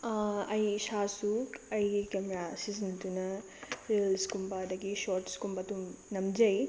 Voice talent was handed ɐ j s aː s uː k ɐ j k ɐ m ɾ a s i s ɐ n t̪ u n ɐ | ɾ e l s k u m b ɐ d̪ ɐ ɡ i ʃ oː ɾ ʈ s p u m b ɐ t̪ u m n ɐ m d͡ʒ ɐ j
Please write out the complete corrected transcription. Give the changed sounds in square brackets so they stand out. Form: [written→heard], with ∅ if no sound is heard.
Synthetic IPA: ɐ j [s→ʃ] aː s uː k ɐ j k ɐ m ɾ a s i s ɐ n t̪ u n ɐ | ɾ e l s k u m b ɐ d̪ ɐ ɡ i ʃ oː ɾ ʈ s [p→k] u m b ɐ t̪ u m n ɐ m d͡ʒ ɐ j